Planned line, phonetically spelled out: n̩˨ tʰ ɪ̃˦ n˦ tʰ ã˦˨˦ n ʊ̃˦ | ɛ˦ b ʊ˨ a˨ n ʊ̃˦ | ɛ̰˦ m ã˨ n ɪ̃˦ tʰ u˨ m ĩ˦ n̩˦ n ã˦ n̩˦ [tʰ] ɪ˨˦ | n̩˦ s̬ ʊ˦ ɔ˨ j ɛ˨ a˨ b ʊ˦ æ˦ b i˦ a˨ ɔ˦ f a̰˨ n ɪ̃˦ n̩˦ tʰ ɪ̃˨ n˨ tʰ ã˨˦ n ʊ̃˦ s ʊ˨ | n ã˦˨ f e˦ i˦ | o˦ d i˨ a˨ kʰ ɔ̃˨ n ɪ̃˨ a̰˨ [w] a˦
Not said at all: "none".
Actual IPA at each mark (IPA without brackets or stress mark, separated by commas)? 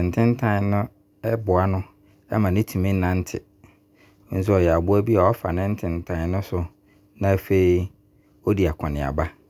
tʰ, b